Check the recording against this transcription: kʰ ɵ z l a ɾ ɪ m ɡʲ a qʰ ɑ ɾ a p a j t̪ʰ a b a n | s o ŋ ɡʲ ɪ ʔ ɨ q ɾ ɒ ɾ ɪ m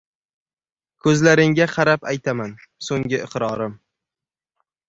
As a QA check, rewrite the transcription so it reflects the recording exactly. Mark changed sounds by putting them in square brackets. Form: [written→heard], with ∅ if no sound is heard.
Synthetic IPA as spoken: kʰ ɵ z l a ɾ ɪ [m→ŋ] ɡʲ a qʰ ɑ ɾ a p a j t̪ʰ a [b→m] a n | s o ŋ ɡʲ ɪ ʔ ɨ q ɾ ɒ ɾ ɪ m

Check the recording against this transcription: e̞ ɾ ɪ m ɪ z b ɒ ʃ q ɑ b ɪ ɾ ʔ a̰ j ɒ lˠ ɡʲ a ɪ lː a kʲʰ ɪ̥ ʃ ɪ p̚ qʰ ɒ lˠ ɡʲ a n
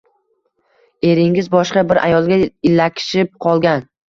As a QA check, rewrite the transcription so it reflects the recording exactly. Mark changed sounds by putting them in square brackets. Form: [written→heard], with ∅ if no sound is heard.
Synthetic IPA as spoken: e̞ ɾ ɪ [m→ŋ] ɪ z b ɒ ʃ q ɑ b ɪ ɾ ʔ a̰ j ɒ lˠ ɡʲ a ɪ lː a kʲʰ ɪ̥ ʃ ɪ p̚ qʰ ɒ lˠ ɡʲ a n

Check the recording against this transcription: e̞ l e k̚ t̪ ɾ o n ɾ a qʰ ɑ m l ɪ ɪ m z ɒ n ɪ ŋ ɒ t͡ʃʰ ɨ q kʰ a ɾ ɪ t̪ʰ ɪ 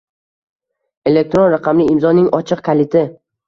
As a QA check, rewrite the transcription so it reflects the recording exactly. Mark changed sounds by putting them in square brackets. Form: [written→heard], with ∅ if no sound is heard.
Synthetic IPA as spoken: e̞ l e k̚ t̪ ɾ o n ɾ a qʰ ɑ m l ɪ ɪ m z ɒ n ɪ ŋ ɒ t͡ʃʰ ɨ q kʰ a [ɾ→l] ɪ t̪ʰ ɪ

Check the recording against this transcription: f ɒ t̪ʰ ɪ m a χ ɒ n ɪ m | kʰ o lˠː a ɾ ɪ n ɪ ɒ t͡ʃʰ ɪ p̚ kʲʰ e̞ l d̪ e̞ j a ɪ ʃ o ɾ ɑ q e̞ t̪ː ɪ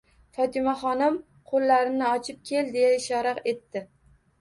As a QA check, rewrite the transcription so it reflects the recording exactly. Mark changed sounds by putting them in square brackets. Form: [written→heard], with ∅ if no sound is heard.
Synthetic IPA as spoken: f ɒ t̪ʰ ɪ m a χ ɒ n ɪ m | [kʰ→qʰ] o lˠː a ɾ ɪ n ɪ ɒ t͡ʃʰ ɪ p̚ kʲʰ e̞ l d̪ e̞ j a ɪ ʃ [o→ɒ] ɾ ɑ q e̞ t̪ː ɪ

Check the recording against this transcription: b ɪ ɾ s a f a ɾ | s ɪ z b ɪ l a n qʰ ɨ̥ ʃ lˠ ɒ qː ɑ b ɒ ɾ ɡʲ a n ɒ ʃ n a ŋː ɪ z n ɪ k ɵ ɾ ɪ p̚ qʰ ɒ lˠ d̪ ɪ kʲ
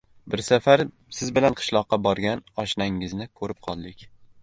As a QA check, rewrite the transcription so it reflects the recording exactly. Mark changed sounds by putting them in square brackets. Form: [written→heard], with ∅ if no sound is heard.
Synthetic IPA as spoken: b ɪ ɾ s a f a ɾ | s ɪ z b ɪ l a n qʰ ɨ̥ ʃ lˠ ɒ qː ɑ b ɒ ɾ ɡʲ a n ɒ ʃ n a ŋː ɪ z n ɪ [k→kʰ] ɵ ɾ ɪ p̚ qʰ ɒ lˠ d̪ ɪ kʲ

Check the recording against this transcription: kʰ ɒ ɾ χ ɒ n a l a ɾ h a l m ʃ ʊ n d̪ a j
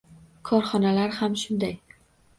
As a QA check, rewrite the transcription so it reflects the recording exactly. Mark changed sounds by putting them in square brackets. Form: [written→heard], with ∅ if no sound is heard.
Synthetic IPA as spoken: kʰ ɒ ɾ χ ɒ n a l a ɾ h a [l→∅] m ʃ ʊ n d̪ a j

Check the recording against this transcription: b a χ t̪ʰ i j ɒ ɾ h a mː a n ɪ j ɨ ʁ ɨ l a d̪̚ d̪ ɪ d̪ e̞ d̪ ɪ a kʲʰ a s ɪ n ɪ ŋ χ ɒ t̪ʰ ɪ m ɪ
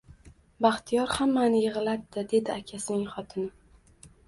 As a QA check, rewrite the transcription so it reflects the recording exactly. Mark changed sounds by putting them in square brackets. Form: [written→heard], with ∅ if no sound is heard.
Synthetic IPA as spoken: b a χ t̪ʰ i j ɒ ɾ h a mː a n ɪ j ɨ ʁ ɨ l a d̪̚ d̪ ɪ d̪ e̞ d̪ ɪ a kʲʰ a s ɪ n ɪ ŋ χ ɒ t̪ʰ ɪ [m→n] ɪ

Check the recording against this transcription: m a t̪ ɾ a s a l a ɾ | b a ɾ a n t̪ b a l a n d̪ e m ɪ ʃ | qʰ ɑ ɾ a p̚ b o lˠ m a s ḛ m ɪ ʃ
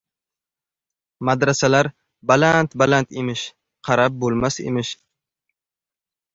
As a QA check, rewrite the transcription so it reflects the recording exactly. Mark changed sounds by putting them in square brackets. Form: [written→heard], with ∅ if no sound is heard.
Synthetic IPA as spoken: m a [t̪→d̪] ɾ a s a l a ɾ | b a [ɾ→l] a n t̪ b a l a n [d̪→t̪] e m ɪ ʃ | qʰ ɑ ɾ a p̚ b o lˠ m a s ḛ m ɪ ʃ

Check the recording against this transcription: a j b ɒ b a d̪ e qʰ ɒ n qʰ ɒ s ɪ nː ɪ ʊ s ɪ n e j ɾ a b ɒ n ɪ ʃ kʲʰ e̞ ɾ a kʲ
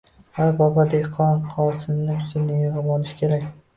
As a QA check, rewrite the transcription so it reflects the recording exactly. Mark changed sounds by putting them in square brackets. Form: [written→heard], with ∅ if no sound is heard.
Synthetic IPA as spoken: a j b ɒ b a d̪ e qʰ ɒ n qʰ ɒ s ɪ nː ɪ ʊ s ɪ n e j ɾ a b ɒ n ɪ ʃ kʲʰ e̞ ɾ a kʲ

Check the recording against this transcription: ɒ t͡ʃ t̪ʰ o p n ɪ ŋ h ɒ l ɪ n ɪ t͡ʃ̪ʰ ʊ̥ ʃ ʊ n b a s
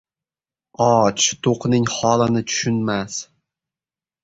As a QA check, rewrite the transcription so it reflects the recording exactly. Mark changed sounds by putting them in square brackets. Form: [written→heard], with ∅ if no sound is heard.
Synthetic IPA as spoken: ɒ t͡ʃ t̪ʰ o [p→q] n ɪ ŋ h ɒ l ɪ n ɪ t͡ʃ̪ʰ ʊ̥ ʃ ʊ n [b→m] a s

